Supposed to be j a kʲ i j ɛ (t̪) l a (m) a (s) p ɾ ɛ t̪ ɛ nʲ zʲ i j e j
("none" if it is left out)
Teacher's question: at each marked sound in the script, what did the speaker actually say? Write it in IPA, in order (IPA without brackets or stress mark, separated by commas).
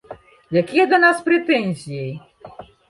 d̪, n, s